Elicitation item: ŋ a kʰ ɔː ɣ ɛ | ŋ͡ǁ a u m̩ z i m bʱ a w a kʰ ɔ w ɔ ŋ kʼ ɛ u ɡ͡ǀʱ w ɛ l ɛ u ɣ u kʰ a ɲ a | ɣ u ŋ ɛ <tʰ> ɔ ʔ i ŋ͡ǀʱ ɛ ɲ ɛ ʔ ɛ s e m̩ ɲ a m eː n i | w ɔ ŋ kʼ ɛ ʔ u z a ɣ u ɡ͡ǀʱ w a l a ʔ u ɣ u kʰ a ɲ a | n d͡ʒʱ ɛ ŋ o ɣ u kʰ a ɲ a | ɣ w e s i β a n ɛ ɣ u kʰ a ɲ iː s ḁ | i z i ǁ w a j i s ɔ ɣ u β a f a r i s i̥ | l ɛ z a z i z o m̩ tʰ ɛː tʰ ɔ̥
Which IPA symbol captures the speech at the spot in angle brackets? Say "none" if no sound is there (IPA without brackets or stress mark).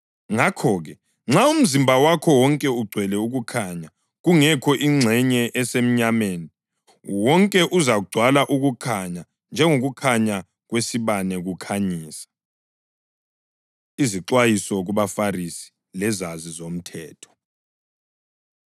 kʰ